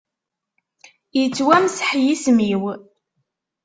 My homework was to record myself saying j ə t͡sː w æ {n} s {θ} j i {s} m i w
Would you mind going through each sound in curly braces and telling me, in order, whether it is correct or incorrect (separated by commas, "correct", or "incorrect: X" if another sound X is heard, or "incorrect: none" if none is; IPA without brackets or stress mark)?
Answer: incorrect: m, incorrect: ħ, correct